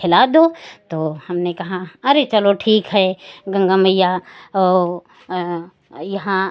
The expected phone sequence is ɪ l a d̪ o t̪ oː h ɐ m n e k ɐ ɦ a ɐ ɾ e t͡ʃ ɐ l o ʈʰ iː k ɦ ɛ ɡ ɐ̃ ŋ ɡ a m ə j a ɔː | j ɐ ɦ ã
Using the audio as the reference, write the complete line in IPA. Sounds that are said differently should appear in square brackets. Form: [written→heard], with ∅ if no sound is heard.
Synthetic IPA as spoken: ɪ l a d̪ o t̪ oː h ɐ m n e k ɐ ɦ a ɐ ɾ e t͡ʃ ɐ l o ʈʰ iː k ɦ ɛ ɡ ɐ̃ ŋ ɡ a m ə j a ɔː | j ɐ ɦ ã